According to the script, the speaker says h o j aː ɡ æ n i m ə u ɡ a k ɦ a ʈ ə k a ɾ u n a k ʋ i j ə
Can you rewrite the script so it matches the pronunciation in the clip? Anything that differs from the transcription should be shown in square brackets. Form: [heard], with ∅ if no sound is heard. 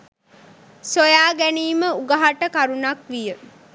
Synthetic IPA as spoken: [s] o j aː ɡ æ n [iː] m ə u ɡ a [∅] ɦ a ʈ ə k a ɾ u n a k ʋ i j ə